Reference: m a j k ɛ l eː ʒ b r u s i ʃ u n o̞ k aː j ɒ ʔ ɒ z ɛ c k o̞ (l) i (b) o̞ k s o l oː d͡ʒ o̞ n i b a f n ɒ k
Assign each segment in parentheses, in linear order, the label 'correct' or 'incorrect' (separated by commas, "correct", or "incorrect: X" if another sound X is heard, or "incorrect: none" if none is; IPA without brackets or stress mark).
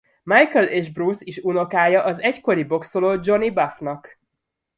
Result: incorrect: ɾ, correct